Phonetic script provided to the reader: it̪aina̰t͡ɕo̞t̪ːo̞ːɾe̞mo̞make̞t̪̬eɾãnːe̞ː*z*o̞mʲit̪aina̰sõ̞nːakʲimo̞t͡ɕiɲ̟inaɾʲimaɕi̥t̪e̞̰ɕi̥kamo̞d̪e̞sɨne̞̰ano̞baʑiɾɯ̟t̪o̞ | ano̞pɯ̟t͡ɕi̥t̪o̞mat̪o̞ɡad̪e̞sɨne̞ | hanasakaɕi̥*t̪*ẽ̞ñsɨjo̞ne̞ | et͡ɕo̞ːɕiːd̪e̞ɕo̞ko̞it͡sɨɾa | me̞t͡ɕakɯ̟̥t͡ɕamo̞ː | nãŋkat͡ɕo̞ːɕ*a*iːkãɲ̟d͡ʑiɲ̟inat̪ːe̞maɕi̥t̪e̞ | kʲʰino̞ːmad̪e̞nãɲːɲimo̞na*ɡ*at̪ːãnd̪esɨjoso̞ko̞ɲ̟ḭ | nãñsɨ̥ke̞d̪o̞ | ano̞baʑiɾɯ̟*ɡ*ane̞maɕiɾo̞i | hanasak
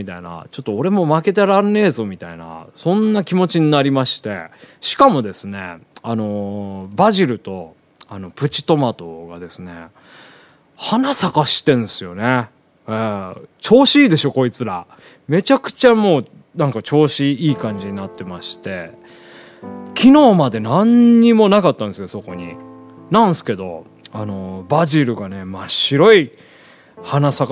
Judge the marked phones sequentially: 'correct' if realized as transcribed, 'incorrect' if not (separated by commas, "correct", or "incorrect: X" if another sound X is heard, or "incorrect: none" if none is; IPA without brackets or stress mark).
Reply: correct, correct, incorrect: i, incorrect: k, correct